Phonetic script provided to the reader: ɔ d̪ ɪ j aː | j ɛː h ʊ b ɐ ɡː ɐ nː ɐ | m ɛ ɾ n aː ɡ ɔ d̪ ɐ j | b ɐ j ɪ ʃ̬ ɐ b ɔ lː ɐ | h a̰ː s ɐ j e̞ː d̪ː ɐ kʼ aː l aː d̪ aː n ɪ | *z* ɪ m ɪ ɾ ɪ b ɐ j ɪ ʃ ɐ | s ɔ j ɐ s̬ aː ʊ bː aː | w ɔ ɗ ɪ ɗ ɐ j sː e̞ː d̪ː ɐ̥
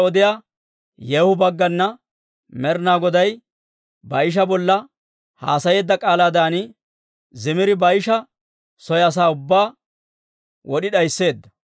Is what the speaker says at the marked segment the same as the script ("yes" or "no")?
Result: yes